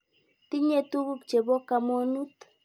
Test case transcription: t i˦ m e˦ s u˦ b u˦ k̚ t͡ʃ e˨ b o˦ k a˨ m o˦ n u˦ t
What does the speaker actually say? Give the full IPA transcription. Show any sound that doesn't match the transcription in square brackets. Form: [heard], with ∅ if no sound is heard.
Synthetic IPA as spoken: t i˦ [ɲ] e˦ [t] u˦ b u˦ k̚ t͡ʃ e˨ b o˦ k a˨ m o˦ n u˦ t